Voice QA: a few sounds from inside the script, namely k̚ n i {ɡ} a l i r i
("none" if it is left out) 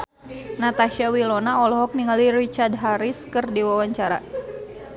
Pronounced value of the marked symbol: ŋ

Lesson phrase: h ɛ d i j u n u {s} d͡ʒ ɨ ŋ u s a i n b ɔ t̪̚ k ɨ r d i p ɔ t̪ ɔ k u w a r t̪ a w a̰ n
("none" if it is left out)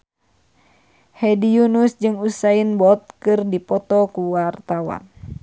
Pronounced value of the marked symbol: s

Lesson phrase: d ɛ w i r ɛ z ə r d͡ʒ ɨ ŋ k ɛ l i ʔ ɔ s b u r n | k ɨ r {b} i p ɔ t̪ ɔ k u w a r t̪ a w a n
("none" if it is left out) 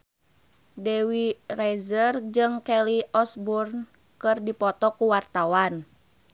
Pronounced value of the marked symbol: d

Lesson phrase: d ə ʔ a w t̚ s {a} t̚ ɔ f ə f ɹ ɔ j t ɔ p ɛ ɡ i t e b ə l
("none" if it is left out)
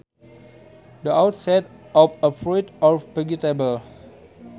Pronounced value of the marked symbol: ɛ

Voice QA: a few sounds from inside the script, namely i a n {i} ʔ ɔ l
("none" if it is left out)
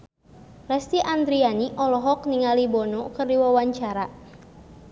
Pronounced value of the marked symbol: i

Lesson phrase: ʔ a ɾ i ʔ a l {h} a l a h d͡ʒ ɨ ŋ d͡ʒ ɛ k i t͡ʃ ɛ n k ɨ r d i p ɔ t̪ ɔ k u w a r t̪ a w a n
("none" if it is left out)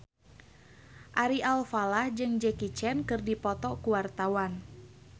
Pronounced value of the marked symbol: f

